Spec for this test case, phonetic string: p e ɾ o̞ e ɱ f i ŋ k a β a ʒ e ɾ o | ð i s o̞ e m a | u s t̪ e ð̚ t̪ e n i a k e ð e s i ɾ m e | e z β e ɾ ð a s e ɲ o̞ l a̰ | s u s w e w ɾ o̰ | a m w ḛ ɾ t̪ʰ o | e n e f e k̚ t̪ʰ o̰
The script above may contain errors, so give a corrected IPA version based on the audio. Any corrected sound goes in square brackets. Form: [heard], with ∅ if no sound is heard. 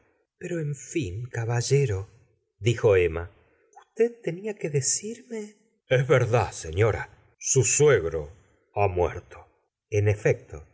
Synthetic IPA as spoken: p e ɾ o̞ e ɱ f i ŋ k a β a ʒ e ɾ o | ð i [x] o̞ e m a | u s t̪ e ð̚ t̪ e n i a k e ð e s i ɾ m e | e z β e ɾ ð a s e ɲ o̞ [ɾ] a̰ | s u s w e [ɣ] ɾ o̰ | a m w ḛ ɾ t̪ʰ o | e n e f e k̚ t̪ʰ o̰